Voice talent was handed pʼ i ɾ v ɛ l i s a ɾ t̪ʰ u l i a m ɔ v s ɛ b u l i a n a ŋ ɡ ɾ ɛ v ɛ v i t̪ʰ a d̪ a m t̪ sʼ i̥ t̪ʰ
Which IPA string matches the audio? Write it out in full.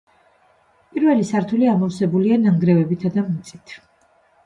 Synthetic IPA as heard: pʼ i ɾ v ɛ l i s a ɾ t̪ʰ u l i a m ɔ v s ɛ b u l i a n a ŋ ɡ ɾ ɛ v ɛ b i t̪ʰ a d̪ a m t̪ sʼ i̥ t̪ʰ

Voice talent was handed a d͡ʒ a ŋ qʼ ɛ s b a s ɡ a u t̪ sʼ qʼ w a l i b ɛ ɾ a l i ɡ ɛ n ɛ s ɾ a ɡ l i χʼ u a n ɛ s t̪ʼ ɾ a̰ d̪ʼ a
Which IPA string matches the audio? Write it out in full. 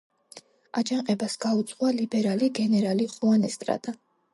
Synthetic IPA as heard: a d͡ʒ a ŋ qʼ ɛ b a s ɡ a u t̪ sʼ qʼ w a l i b ɛ ɾ a l i ɡ ɛ n ɛ ɾ a l i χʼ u a n ɛ s t̪ʼ ɾ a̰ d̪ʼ a

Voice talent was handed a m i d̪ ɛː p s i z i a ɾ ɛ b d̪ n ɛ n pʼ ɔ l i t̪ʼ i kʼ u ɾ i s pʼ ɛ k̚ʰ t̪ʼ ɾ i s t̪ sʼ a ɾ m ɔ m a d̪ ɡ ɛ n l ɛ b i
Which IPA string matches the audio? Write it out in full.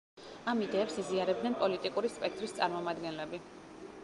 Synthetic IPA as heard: a m i d̪ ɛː p s i z i a ɾ ɛ b d̪ n ɛ n pʼ ɔ l i t̪ʼ i kʼ u ɾ i s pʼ ɛ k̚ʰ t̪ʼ ɾ i s t̪ sʼ a ɾ m ɔ m a d̪ ɡ ɛ n l ɛ b i

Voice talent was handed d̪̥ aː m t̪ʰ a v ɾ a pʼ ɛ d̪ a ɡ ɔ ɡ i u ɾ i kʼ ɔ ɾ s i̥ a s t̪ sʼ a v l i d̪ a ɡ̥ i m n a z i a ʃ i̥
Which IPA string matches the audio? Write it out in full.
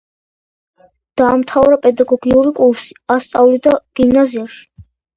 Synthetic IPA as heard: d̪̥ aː m t̪ʰ a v ɾ a pʼ ɛ d̪ a ɡ ɔ ɡ i u ɾ i kʼ u ɾ s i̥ a s t̪ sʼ a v l i d̪ a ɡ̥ i m n a z i a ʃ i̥

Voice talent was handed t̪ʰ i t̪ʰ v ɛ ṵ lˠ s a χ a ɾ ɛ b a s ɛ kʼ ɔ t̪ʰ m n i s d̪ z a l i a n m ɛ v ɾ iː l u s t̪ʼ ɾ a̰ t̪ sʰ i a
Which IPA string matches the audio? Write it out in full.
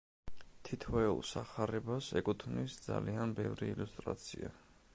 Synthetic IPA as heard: t̪ʰ i t̪ʰ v ɛ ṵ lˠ s a χ a ɾ ɛ b a s ɛ kʼ u t̪ʰ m n i s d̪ z a l i a n b ɛ v ɾ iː l u s t̪ʼ ɾ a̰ t̪ sʰ i a

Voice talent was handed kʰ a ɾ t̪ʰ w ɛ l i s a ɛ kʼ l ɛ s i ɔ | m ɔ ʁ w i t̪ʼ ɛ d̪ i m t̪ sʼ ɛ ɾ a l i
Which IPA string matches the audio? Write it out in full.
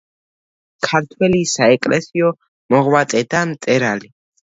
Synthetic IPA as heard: kʰ a ɾ t̪ʰ w ɛ l i s a ɛ kʼ l ɛ s i ɔ | m ɔ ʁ w a t̪ʼ ɛ d̪ a m t̪ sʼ ɛ ɾ a l i

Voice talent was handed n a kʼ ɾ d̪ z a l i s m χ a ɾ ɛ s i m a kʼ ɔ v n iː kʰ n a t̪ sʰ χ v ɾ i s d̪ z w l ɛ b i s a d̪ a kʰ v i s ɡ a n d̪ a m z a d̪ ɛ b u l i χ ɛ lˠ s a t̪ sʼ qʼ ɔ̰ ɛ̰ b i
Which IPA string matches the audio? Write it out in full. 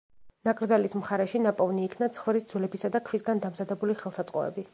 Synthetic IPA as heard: n a kʼ ɾ d̪ z a l i s m χ a ɾ ɛ ʃ i n a pʼ ɔ v n iː kʰ n a t̪ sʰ χ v ɾ i s d̪ z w l ɛ b i s a d̪ a kʰ v i s ɡ a n d̪ a m z a d̪ ɛ b u l i χ ɛ lˠ s a t̪ sʼ qʼ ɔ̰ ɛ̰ b i

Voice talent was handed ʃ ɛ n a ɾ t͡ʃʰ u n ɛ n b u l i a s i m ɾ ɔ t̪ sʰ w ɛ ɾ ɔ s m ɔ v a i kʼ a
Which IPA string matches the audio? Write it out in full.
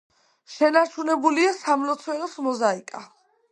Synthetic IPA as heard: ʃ ɛ n a ɾ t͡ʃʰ u n ɛ b u l i a s a m l ɔ t̪ sʰ w ɛ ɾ ɔ s m ɔ z a i kʼ a

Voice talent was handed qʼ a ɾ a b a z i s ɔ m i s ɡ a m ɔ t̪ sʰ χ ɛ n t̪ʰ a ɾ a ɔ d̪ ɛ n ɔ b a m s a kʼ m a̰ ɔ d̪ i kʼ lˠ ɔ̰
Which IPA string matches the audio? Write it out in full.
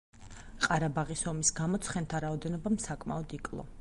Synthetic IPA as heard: qʼ a ɾ a b a ʁ i s ɔ m i s ɡ a m ɔ t̪ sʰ χ ɛ n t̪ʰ a ɾ a ɔ d̪ ɛ n ɔ b a m s a kʼ m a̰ ɔ d̪ i kʼ lˠ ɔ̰

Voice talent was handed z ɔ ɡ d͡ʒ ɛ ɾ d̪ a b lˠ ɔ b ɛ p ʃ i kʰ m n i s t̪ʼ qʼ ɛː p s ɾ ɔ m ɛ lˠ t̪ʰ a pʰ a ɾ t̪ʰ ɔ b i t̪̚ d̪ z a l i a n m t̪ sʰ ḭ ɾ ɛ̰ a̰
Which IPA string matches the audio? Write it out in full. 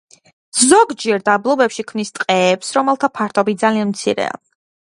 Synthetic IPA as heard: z ɔ ɡ d͡ʒ ɛ ɾ d̪ a b lˠ ɔ b ɛ p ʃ i kʰ m n i s t̪ʼ qʼ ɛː p s ɾ ɔ m ɛ lˠ t̪ʰ a pʰ a ɾ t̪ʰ ɔ b i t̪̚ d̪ z a l i a n m t̪ sʰ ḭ ɾ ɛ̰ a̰

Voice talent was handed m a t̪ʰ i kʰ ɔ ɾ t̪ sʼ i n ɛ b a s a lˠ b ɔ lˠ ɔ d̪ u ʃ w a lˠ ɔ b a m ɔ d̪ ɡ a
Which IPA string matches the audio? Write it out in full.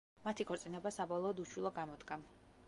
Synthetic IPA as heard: m a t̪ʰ i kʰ ɔ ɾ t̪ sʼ i n ɛ b a s a b ɔ lˠ ɔː d̪ u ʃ w i lˠ ɔ ɡ a m ɔ d̪ ɡ a

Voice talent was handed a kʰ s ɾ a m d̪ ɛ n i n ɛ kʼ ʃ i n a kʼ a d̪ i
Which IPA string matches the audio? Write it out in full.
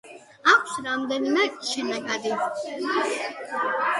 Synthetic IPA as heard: a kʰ s ɾ a m d̪ ɛ n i m ɛ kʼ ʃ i n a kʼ a d̪ i

